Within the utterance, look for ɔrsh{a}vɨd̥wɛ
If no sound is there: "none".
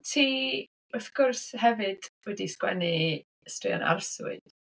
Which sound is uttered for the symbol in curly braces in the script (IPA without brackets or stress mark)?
ɛ